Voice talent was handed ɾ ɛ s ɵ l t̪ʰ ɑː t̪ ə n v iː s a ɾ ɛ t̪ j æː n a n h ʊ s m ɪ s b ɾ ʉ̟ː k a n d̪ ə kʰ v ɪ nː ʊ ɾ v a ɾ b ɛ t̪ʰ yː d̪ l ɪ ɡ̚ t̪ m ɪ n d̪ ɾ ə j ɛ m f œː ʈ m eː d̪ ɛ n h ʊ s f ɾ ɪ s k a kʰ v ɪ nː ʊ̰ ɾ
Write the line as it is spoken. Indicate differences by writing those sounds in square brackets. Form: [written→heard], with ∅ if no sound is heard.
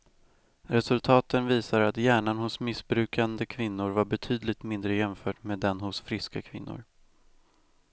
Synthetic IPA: ɾ ɛ s ɵ l t̪ʰ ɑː t̪ ə n v iː s a ɾ [ɛ→a] t̪ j æː [n→ɳ] a n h ʊ s m ɪ s b ɾ ʉ̟ː k a n d̪ ə kʰ v ɪ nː ʊ ɾ v a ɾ b ɛ t̪ʰ yː d̪ l ɪ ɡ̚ t̪ m ɪ n d̪ ɾ ə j ɛ m f œː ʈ m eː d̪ ɛ n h ʊ s f ɾ ɪ s k a kʰ v ɪ nː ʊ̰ ɾ